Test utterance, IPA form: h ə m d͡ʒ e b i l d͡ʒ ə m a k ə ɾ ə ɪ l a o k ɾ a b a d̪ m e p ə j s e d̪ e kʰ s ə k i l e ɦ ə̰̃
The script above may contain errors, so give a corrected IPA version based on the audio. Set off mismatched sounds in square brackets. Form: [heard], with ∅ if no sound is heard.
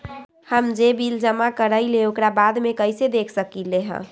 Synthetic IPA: h ə m d͡ʒ e b i l d͡ʒ ə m a k ə ɾ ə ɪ l [e] o k ɾ a b a d̪ m e [k] ə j s e d̪ e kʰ s ə k i l e ɦ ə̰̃